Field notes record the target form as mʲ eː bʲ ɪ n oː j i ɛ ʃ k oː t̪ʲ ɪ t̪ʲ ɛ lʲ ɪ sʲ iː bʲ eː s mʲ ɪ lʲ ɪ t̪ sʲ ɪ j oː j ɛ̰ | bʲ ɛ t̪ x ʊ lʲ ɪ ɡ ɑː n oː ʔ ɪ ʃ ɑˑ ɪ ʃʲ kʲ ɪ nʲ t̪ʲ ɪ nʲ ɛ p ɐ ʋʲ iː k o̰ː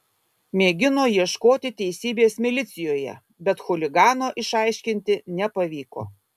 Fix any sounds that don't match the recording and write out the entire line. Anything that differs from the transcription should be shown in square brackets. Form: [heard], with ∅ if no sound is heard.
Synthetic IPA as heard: mʲ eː [ɡʲ] ɪ n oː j i ɛ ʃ k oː t̪ʲ ɪ t̪ʲ ɛ [∅] ɪ sʲ iː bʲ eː s mʲ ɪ lʲ ɪ t̪ sʲ ɪ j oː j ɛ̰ | bʲ ɛ t̪ x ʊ lʲ ɪ ɡ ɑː n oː ʔ ɪ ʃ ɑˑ ɪ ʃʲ kʲ ɪ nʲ t̪ʲ ɪ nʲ ɛ p ɐ ʋʲ iː k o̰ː